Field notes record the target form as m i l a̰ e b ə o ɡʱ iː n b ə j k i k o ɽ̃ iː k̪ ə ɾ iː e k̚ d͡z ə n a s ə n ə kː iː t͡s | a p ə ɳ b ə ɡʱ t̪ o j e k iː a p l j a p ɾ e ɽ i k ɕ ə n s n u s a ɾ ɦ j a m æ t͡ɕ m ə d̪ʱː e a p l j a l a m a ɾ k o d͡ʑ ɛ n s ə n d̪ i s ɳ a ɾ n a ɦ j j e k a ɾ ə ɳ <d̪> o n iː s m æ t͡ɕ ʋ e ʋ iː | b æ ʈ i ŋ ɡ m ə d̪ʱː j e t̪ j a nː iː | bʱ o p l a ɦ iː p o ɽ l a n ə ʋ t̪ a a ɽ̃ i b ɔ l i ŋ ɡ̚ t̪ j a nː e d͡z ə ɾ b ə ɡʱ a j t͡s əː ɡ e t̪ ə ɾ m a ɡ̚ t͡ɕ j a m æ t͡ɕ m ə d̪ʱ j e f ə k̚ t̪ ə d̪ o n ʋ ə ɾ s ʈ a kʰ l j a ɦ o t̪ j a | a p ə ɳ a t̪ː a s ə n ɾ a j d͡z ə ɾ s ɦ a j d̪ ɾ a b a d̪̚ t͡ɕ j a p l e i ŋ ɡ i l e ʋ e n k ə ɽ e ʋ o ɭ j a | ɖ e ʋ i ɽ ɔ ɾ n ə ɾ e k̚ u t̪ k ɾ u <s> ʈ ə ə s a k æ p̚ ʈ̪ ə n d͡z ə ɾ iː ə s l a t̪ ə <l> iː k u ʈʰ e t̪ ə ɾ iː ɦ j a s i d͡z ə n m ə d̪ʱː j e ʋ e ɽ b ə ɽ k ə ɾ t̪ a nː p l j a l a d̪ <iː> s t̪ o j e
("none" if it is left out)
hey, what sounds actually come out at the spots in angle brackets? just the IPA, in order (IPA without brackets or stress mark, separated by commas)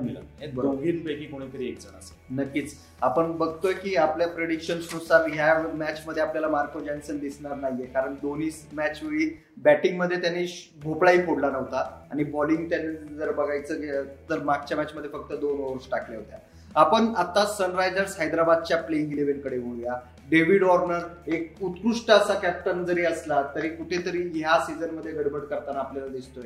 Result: d̪, ʂ, ɾ, i